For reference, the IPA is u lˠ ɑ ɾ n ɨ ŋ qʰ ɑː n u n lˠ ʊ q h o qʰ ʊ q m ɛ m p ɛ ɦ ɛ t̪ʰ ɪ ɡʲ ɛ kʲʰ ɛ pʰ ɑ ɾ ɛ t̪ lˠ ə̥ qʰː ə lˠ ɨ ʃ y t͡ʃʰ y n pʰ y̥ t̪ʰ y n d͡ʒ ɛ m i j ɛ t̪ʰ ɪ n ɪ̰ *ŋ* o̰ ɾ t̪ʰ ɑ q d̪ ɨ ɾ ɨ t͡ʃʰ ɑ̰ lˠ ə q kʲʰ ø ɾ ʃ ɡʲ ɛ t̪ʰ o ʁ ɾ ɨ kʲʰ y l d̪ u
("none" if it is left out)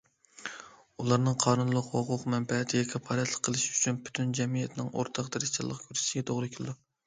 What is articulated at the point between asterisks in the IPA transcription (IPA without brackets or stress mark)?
ŋ